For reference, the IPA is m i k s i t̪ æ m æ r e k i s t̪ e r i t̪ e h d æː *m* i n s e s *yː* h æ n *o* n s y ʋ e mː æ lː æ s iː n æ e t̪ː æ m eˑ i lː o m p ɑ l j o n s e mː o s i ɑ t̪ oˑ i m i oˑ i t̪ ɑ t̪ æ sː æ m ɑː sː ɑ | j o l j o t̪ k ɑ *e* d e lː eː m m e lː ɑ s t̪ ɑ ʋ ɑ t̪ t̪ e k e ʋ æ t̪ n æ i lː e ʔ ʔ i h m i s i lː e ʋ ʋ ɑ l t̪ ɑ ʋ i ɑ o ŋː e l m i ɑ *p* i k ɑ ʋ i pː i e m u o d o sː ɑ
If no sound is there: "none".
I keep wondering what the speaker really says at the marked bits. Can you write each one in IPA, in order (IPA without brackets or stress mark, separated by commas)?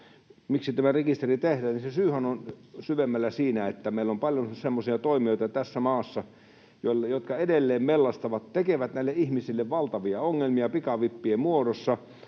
n, yː, o, e, p